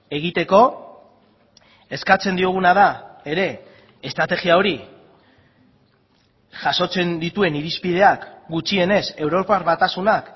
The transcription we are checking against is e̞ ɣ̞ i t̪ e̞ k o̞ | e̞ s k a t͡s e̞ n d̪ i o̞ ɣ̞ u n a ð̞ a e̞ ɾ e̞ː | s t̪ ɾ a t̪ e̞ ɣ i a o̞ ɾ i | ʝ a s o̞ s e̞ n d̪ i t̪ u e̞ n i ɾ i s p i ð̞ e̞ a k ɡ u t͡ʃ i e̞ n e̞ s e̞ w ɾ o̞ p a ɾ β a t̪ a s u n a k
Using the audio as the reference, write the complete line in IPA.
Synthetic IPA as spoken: e̞ ɣ̞ i t̪ e̞ k o̞ | e̞ s k a t͡s e̞ n d̪ i o̞ ɣ̞ u n a ð̞ a e̞ ɾ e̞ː | s t̪ ɾ a t̪ e̞ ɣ i a o̞ ɾ i | ʝ a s o̞ t͡s e̞ n d̪ i t̪ u e̞ n i ɾ i s p i ð̞ e̞ a k ɡ u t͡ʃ i e̞ n e̞ s e̞ w ɾ o̞ p a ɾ β a t̪ a s u n a k

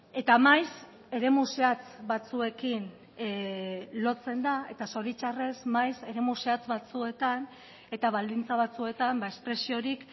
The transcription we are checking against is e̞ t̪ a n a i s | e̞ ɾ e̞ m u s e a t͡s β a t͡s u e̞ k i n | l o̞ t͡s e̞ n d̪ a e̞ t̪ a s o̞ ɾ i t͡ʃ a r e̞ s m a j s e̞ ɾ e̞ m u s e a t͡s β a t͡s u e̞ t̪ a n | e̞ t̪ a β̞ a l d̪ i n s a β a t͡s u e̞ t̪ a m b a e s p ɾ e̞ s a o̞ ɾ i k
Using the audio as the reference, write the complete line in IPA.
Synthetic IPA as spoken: e̞ t̪ a m a j s | e̞ ɾ e̞ m u s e a t͡s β a t͡s u e̞ k i n | l o̞ t͡s e̞ n d̪ a e̞ t̪ a s o̞ ɾ i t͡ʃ a r e̞ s m a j s e̞ ɾ e̞ m u s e a t͡s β a t͡s u e̞ t̪ a n | e̞ t̪ a β̞ a l d̪ i n t͡s a β a t͡s u e̞ t̪ a m b a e s p ɾ e̞ s i o̞ ɾ i k

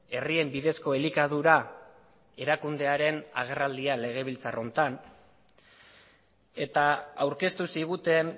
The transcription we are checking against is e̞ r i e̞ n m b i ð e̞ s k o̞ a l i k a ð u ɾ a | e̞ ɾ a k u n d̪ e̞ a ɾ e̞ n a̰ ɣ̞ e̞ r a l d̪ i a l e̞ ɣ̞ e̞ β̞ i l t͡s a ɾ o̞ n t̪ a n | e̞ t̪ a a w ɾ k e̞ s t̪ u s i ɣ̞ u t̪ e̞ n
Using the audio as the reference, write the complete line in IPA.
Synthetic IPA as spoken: e̞ r i e̞ m b i ð e̞ s k o̞ e l i k a ð u ɾ a | e̞ ɾ a k u n d̪ e̞ a ɾ e̞ n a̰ ɣ̞ e̞ r a l d̪ i a l e̞ ɣ̞ e̞ β̞ i l t͡s a r o̞ n t̪ a n | e̞ t̪ a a w ɾ k e̞ s t̪ u s i ɣ̞ u t̪ e̞ n

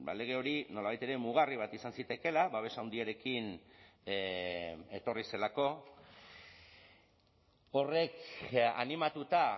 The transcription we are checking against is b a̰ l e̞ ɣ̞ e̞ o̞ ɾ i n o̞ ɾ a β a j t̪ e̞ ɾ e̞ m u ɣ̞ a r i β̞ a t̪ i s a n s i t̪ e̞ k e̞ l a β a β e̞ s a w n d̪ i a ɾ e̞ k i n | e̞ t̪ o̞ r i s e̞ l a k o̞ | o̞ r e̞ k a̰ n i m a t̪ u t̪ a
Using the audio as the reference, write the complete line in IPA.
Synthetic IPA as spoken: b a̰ l e̞ ɣ̞ e̞ o̞ ɾ i n o̞ l a β a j t̪ e̞ ɾ e̞ m u ɣ̞ a r i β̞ a t̪ i s a n s i t̪ e̞ k e̞ l a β a β e̞ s a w n d̪ i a ɾ e̞ k i n | e̞ t̪ o̞ r i s e̞ l a k o̞ | o̞ r e̞ k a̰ n i m a t̪ u t̪ a

